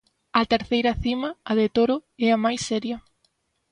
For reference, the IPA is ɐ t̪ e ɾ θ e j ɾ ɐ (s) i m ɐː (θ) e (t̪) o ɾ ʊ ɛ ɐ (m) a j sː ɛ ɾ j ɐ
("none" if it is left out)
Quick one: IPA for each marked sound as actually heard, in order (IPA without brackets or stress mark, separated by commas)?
θ, ð, t̪, m